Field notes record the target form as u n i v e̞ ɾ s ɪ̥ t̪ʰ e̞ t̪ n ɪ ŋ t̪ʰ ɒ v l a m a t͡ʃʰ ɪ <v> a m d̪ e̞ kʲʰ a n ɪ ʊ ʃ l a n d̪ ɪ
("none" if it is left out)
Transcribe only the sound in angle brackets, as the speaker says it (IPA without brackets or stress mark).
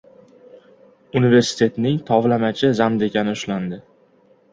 z